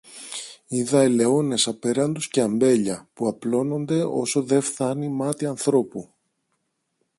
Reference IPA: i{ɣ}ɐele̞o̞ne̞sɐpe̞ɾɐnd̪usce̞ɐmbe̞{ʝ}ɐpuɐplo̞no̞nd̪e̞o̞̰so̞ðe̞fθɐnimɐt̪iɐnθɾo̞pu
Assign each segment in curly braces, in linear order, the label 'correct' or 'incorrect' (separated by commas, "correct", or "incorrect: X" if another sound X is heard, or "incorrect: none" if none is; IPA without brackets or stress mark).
incorrect: ð, incorrect: ʎ